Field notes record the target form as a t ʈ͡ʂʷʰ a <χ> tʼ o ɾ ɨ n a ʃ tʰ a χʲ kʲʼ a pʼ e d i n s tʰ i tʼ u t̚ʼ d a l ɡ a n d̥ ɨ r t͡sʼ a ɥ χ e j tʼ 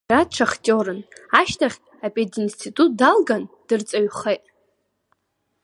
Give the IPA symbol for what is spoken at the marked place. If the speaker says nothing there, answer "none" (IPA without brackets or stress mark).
χ